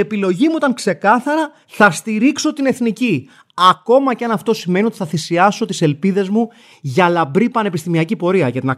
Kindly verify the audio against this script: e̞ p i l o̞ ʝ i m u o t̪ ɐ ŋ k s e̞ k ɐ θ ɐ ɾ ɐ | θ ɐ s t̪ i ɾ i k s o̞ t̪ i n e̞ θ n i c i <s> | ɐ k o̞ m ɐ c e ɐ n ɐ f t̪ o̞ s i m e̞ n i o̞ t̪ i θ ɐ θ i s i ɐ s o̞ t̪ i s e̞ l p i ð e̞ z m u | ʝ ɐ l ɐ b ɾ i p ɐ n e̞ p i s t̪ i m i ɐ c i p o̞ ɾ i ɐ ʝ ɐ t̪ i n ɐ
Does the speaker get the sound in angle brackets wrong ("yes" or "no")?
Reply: yes